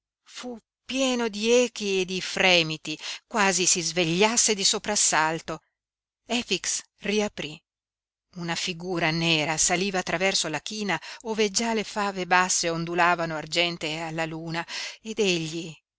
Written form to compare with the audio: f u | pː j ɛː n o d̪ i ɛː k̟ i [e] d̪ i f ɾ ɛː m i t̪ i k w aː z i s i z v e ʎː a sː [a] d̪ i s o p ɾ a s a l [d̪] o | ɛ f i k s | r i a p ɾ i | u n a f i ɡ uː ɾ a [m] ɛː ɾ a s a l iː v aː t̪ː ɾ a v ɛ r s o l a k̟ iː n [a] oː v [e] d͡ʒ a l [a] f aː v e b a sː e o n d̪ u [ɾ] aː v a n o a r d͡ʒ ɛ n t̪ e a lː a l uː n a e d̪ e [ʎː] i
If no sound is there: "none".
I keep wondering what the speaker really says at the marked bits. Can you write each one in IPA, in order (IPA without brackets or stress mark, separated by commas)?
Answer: e, e, t̪, n, a, e, e, l, ʎː